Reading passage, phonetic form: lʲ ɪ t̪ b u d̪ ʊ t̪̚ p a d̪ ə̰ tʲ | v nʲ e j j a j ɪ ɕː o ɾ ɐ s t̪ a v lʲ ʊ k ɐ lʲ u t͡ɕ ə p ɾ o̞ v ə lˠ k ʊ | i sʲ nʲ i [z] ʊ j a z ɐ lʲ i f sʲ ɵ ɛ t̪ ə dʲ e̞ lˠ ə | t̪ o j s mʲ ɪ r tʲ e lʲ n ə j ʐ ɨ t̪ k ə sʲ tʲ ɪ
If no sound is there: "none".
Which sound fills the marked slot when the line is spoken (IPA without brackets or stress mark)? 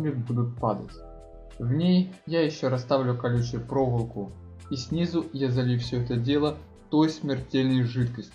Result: z